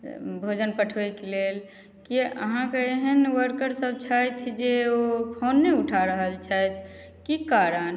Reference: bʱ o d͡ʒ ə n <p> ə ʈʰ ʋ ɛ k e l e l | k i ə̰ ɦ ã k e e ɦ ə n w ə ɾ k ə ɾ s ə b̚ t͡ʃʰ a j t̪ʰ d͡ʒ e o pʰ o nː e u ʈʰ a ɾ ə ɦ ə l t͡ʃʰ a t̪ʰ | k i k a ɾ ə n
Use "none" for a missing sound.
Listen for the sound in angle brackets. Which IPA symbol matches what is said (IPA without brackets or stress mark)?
p